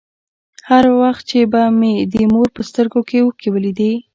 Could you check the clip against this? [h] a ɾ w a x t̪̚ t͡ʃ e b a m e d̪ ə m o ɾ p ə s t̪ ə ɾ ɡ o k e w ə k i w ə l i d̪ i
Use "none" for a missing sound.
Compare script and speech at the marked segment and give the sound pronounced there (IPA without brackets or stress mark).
h